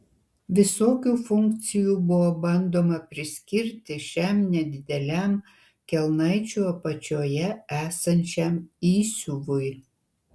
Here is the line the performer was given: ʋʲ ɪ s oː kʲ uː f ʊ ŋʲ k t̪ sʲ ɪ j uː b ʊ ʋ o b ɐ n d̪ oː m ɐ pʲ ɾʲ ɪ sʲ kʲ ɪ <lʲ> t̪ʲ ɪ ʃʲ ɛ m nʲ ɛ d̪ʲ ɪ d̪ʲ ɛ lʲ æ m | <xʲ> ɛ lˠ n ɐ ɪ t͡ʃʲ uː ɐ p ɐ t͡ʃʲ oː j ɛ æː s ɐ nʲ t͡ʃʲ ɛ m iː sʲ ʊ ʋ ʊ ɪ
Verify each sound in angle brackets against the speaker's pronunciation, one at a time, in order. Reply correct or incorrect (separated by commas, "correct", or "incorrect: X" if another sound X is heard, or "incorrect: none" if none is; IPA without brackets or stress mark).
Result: incorrect: ɾʲ, incorrect: kʲ